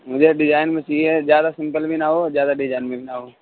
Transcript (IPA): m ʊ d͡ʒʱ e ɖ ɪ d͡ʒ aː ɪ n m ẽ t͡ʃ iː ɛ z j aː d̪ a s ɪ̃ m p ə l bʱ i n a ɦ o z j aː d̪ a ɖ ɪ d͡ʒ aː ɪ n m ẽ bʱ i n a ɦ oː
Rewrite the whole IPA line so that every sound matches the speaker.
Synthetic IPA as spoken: m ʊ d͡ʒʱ e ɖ ɪ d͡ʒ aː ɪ n m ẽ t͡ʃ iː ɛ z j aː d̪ a s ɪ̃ m p ə l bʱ i n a ɦ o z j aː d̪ a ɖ ɪ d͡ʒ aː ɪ n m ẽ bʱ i n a ɦ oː